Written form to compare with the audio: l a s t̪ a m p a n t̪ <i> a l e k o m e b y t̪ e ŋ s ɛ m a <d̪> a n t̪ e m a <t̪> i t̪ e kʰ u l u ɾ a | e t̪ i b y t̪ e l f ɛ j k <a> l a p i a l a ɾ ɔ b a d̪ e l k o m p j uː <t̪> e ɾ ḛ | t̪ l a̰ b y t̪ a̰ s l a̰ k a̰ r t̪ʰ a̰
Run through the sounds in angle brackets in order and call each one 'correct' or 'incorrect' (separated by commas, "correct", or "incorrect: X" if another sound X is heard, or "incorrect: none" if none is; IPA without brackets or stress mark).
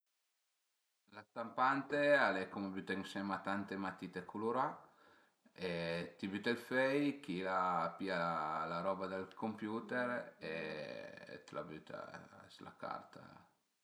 incorrect: e, incorrect: t̪, correct, incorrect: i, correct